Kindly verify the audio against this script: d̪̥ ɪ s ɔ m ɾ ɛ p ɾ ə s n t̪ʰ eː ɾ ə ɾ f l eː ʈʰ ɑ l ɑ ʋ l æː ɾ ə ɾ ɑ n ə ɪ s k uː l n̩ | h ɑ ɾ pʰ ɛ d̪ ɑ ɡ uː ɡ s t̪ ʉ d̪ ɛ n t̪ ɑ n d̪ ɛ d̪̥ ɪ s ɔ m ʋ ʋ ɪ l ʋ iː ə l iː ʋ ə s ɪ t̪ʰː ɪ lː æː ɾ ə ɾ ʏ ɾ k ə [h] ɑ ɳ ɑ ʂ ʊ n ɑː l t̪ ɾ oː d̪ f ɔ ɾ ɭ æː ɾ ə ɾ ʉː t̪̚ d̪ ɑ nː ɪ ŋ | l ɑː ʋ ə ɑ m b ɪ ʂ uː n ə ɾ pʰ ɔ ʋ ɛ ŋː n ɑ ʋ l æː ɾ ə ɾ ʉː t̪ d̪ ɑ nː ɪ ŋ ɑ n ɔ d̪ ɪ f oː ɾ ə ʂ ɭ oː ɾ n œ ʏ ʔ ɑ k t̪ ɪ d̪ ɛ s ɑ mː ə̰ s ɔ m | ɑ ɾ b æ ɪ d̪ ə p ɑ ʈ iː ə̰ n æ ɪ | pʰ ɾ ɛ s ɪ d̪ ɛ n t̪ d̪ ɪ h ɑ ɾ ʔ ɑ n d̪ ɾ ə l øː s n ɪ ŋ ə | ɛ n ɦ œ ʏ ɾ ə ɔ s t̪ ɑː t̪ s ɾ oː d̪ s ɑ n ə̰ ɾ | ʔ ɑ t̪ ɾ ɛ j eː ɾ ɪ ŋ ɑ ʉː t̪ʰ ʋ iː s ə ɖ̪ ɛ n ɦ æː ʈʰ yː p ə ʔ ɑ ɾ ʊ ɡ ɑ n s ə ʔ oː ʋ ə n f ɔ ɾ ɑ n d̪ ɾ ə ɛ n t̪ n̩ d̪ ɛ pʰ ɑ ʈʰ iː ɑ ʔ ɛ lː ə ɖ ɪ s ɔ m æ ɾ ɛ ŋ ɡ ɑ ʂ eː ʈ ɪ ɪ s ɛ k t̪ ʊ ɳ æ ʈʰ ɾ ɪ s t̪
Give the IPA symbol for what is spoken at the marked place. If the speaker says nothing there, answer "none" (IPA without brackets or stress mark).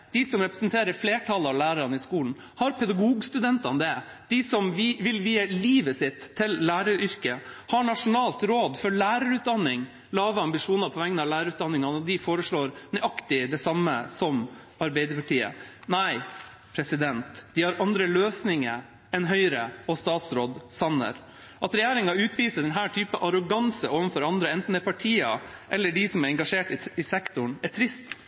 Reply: h